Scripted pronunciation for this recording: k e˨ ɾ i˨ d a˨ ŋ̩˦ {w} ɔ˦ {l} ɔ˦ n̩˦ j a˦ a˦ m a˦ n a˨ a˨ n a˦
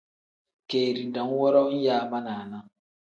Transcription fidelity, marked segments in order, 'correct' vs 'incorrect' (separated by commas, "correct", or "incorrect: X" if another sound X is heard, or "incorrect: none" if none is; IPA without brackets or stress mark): correct, incorrect: ɾ